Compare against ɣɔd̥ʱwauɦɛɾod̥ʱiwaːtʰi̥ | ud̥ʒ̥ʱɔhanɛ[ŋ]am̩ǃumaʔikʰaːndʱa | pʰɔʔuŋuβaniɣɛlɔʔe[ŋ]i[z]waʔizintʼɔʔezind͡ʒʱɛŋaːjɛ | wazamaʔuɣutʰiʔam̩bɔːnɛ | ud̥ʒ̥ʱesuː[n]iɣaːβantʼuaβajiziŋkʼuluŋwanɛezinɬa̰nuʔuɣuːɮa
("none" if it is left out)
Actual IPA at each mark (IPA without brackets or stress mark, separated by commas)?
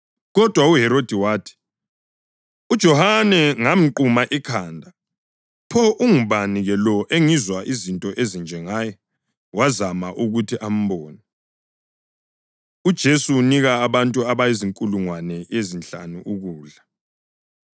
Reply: ŋ, ŋ, z, n